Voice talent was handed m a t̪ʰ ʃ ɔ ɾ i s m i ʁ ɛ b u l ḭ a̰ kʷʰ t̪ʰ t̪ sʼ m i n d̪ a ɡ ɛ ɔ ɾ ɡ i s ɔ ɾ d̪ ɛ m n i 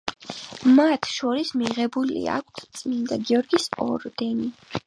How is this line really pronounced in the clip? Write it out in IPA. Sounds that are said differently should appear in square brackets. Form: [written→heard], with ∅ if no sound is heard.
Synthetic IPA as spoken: m a t̪ʰ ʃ ɔ ɾ i s m i ʁ ɛ b u l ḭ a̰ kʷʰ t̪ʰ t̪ sʼ m i n d̪ a ɡ [ɛ→i] ɔ ɾ ɡ i s ɔ ɾ d̪ ɛ [m→∅] n i